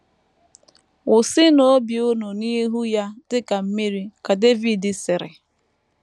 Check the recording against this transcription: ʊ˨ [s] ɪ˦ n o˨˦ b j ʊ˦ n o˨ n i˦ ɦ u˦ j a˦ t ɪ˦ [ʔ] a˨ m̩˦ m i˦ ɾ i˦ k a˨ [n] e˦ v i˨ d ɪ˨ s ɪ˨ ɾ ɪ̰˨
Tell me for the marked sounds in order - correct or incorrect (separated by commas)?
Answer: correct, incorrect, incorrect